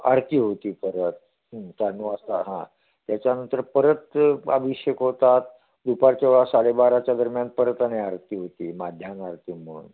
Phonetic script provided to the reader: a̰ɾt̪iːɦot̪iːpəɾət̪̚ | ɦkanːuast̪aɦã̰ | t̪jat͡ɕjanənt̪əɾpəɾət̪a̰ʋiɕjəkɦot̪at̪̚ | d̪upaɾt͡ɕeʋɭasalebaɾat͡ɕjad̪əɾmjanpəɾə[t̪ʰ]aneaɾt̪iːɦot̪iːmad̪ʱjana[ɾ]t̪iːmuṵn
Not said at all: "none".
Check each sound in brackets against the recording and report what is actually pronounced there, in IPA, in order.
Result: t̪, ɾ

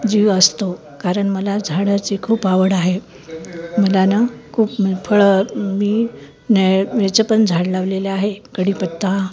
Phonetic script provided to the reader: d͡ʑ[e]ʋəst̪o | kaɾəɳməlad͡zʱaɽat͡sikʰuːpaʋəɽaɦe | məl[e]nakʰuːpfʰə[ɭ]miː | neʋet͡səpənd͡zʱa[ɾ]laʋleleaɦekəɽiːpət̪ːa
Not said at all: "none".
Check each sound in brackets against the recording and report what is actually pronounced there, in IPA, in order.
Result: i, a, ɭ, ɽ

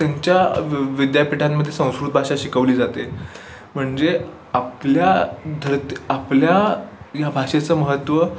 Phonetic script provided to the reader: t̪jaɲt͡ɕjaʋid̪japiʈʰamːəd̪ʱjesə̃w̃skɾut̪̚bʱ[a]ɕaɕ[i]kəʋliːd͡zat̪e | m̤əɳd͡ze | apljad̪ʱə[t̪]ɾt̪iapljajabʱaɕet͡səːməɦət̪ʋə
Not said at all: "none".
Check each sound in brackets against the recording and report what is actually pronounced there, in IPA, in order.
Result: a, i, none

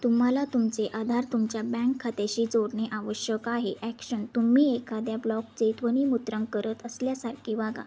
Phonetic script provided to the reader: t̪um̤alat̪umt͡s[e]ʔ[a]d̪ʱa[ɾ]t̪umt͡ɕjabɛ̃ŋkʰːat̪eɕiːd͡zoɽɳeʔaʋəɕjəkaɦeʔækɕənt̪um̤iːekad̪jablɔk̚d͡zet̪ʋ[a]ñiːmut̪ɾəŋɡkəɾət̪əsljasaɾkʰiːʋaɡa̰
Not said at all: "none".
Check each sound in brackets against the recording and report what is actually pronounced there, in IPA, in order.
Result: e, a, ɾ, ə

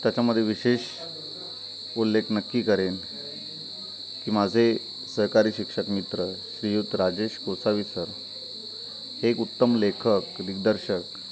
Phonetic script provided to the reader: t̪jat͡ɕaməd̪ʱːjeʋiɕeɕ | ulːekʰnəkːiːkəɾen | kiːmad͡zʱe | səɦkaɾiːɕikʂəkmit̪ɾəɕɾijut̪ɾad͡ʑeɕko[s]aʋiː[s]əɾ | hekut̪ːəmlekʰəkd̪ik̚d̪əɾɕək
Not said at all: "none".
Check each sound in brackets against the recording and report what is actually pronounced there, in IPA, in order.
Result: s, s

